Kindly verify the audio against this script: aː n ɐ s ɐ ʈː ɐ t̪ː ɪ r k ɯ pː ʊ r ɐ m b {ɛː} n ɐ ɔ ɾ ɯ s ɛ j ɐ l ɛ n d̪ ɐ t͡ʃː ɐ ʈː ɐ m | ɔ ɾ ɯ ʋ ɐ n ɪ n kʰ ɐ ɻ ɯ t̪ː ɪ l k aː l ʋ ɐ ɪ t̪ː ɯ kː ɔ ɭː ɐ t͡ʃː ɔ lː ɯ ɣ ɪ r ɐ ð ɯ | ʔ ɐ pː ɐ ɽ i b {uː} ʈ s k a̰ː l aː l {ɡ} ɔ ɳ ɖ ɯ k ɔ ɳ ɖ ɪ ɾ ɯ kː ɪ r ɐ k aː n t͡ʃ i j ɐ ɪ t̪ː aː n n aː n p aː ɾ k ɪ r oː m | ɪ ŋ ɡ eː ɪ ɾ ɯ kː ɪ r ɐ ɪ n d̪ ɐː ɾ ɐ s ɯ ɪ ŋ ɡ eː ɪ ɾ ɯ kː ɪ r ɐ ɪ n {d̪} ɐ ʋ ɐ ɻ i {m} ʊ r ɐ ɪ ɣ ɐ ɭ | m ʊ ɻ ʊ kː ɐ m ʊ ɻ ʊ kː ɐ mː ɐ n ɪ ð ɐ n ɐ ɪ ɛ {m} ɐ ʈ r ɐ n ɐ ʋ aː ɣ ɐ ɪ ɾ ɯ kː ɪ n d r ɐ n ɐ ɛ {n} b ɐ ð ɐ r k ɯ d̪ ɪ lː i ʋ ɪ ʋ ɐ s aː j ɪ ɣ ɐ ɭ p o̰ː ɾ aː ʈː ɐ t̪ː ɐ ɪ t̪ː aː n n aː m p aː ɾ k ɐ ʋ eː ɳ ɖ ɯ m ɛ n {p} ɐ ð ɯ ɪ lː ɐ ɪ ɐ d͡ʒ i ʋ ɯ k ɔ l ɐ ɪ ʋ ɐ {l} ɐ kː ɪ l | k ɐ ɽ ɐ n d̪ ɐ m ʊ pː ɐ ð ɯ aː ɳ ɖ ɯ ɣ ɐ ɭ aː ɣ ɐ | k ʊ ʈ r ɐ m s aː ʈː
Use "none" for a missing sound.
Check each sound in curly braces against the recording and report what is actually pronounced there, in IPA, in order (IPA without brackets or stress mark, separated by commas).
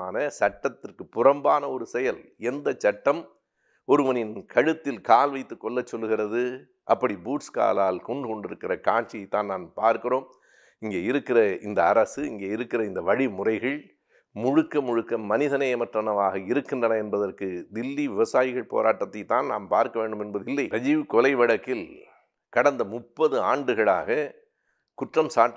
aː, uː, k, d̪, m, m, n, b, ɽ